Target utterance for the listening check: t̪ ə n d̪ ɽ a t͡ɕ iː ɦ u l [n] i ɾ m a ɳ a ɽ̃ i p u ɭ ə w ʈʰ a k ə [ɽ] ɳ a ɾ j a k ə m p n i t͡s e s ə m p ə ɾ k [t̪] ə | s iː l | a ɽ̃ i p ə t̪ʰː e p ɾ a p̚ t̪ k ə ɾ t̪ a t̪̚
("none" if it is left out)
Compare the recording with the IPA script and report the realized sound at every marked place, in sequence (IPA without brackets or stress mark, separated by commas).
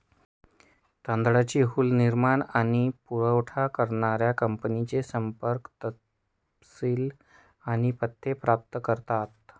n, ɾ, t̪